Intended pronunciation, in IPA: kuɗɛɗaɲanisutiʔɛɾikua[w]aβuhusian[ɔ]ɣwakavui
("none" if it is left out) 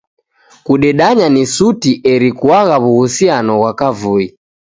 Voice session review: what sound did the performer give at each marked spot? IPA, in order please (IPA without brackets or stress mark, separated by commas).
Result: ɣ, ɔ